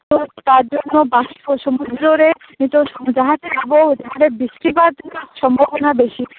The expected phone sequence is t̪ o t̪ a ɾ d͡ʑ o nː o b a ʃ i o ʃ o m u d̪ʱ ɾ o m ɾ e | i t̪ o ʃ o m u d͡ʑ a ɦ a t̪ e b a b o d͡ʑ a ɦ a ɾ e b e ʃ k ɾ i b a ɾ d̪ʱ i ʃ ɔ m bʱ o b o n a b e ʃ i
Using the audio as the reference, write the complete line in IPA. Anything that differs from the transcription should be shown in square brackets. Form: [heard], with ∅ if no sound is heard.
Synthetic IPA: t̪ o t̪ a ɾ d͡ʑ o nː o b a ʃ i o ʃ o m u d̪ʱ ɾ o [∅] ɾ e | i t̪ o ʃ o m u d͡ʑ a ɦ a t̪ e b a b o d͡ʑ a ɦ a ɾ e b [i] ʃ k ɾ i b a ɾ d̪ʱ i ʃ ɔ m bʱ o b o n a b e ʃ i